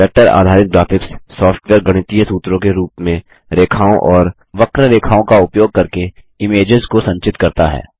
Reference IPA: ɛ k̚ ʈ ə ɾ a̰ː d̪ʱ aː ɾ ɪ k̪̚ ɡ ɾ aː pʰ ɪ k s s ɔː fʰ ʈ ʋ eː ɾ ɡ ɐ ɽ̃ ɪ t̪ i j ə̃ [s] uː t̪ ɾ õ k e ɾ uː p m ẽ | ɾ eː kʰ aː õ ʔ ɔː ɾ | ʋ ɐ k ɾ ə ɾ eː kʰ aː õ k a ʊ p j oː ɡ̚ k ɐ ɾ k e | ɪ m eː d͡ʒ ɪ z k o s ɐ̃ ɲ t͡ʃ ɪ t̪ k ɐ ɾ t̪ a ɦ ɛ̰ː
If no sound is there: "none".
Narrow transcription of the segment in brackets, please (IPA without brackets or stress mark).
s